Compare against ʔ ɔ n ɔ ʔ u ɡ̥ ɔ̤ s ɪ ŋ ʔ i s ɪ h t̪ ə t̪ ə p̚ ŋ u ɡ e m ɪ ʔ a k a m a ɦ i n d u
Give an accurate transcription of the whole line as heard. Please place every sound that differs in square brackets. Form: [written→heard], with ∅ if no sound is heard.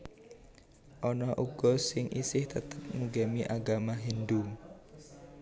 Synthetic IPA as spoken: ʔ ɔ n ɔ ʔ u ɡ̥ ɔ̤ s ɪ ŋ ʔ i s ɪ h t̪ ə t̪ ə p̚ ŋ u ɡ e m [ɪ→i] ʔ a [k→ɡ] a m a ɦ i n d u